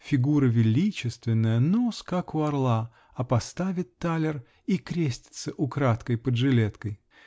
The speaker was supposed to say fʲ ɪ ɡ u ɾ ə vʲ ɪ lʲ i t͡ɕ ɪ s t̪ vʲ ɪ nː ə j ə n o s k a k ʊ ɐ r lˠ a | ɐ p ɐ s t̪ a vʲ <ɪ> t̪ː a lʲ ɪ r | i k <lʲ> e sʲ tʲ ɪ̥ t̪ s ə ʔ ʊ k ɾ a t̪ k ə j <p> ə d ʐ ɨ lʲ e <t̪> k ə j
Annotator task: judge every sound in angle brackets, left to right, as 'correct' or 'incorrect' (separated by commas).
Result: correct, incorrect, correct, correct